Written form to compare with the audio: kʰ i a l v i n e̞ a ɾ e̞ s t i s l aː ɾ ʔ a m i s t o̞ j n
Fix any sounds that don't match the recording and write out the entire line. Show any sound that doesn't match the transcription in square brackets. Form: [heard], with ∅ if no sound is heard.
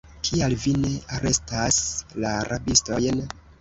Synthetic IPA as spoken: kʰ i a l v i n e̞ a ɾ e̞ s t [a] s l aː ɾ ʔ a [b] i s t o̞ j n

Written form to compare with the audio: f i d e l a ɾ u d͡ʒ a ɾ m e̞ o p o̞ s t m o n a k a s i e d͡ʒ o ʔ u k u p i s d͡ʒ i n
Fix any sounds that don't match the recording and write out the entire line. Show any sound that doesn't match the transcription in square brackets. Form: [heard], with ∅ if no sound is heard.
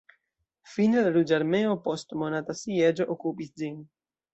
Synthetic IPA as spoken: f i [n] e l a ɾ u d͡ʒ a ɾ m e̞ o p o̞ s t m o n a [t] a s i e d͡ʒ o ʔ [o] k u p i s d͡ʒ i n

